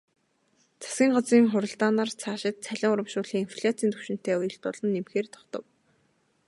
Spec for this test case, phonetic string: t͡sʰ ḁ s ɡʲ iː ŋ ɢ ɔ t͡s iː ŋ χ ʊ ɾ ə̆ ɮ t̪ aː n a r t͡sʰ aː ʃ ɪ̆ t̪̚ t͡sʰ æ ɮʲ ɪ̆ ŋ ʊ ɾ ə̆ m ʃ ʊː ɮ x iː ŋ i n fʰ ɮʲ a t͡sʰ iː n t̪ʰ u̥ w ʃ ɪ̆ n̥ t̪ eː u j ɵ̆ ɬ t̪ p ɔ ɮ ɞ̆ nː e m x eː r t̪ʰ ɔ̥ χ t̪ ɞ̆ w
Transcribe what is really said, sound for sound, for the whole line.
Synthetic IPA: t͡sʰ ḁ s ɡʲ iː ŋ ɢ ɔ t͡s iː ŋ χ ʊ ɾ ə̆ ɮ t̪ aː n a r t͡sʰ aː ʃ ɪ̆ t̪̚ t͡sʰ æ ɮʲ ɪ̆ ŋ ʊ ɾ ə̆ m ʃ ʊː ɮ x iː ŋ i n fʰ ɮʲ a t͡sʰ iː n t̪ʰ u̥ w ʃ ɪ̆ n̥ t̪ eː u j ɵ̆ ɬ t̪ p ɔ ɮ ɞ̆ nː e m x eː r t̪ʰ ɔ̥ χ t̪ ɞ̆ w